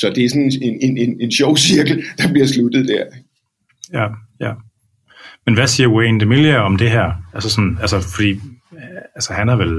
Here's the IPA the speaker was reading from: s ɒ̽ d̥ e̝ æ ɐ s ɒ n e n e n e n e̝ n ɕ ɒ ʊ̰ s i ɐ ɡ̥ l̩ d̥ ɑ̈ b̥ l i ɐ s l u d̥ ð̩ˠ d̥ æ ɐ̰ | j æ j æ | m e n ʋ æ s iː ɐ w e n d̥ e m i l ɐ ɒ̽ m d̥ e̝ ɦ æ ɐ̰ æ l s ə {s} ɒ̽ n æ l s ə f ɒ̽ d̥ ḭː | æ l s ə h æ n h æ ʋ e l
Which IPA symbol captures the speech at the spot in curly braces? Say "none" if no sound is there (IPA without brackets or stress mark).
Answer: s